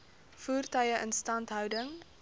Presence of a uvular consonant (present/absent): absent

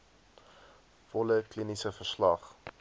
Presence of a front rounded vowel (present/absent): absent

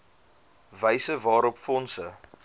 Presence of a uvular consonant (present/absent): absent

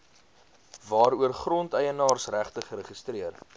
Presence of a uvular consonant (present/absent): present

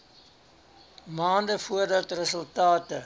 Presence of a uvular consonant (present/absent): absent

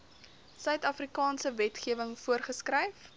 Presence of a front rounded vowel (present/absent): present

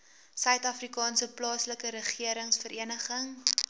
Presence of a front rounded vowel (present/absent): present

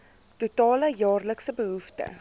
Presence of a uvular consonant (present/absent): absent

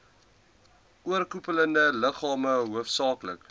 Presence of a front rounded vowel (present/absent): absent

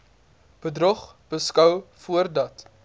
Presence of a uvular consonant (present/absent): present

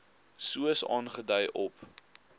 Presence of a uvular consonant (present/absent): present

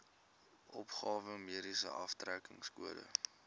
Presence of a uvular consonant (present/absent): present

